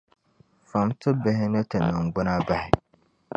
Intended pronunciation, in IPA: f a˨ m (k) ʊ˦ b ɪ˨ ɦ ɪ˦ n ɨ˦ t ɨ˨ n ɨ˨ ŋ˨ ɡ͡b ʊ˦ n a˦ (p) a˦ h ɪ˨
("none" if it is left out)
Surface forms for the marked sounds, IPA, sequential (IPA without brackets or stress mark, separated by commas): t, b